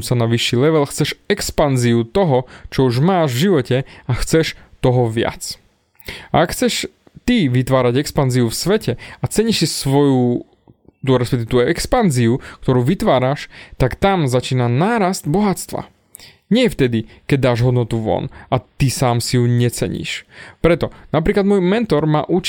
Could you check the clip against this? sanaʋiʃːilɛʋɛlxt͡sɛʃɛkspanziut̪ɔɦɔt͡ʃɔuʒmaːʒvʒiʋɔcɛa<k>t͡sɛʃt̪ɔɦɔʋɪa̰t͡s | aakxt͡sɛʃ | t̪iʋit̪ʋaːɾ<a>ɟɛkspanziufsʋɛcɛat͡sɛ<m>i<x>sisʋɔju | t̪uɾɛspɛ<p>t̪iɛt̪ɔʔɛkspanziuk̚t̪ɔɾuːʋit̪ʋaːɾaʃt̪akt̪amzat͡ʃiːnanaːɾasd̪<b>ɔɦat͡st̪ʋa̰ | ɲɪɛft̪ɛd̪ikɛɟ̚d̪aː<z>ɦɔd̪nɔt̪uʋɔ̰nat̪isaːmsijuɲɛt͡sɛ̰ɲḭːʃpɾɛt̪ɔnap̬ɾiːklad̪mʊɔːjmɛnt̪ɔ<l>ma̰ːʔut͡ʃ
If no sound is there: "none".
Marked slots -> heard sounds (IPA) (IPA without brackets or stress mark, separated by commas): x, a, ɲ, ʃ, k, b, ʒ, ɾ